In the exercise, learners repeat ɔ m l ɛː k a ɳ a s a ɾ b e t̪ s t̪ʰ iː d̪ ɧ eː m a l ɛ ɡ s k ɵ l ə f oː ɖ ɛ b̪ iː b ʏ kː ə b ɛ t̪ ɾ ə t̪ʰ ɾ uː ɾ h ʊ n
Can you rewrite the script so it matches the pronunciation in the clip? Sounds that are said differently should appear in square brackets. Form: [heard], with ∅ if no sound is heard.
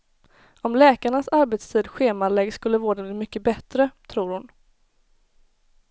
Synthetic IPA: ɔ m l ɛː k a ɳ a s a ɾ b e t̪ s t̪ʰ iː d̪ ɧ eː m a l ɛ ɡ s k ɵ [lː] ə [v] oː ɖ ɛ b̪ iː [m] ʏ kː ə b ɛ t̪ ɾ ə t̪ʰ ɾ uː ɾ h ʊ n